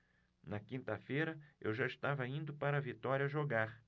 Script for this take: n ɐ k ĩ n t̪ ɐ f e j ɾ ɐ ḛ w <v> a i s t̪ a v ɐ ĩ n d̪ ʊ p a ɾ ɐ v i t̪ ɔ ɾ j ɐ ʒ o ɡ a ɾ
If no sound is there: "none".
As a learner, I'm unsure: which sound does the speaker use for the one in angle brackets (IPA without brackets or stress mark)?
ʒ